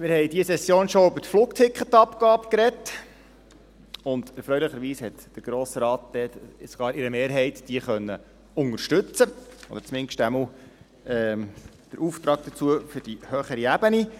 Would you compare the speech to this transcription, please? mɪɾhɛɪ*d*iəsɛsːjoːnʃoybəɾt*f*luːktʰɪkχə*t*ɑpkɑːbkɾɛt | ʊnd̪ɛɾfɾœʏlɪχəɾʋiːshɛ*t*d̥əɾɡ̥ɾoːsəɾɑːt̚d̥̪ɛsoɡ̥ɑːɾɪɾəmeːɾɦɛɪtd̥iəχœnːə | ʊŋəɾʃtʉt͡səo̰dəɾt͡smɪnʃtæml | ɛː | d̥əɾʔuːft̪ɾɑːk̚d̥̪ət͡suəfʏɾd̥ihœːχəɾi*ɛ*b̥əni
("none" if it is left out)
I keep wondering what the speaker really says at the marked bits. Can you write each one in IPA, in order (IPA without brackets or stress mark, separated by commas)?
d, f, t, t, æ